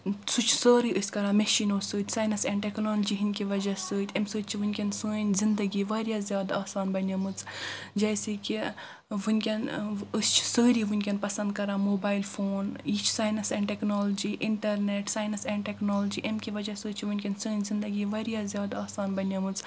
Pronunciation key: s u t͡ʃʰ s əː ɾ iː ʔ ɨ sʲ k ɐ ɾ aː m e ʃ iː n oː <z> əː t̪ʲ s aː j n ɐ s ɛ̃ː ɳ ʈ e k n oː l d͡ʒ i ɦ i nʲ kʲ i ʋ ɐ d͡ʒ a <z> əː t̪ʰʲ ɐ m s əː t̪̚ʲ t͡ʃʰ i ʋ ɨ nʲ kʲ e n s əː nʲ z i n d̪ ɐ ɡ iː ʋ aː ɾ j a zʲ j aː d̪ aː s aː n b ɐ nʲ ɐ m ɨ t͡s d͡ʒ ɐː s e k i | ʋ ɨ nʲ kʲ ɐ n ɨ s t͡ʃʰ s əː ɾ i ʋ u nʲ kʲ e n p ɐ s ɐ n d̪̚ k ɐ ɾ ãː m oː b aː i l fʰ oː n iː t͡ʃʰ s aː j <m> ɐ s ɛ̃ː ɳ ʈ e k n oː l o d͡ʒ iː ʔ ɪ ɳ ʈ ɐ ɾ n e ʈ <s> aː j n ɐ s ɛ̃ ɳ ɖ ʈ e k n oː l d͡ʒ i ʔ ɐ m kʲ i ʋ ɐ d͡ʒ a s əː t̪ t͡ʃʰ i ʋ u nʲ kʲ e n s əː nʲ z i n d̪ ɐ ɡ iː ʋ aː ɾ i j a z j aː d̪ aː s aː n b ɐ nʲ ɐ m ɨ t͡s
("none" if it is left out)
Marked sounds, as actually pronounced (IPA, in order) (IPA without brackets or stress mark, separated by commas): s, s, n, s